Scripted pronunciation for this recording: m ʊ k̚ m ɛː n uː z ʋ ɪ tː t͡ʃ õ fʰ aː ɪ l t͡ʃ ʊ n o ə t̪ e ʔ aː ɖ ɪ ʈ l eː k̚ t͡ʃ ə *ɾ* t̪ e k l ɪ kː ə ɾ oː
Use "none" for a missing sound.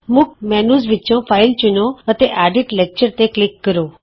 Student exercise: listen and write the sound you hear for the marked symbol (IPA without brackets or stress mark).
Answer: ɾ